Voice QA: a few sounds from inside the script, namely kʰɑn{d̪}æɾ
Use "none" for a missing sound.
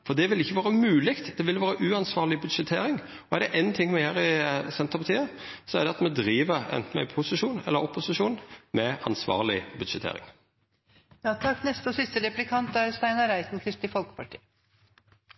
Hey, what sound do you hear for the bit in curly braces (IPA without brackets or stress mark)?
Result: t̪